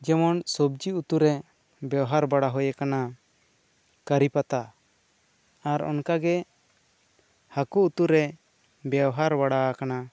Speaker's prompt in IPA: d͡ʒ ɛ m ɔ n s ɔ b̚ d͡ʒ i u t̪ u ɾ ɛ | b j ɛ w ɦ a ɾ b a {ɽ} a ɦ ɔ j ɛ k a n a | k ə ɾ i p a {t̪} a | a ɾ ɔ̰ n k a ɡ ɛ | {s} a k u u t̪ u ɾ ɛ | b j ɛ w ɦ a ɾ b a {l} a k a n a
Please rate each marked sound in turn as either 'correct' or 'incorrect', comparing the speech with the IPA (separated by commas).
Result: correct, correct, incorrect, incorrect